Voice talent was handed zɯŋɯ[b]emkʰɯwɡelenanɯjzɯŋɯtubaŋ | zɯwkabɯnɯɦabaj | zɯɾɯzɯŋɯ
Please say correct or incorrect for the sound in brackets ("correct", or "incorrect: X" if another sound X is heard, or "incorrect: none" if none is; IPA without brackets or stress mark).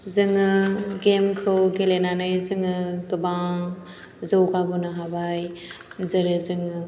incorrect: ɡ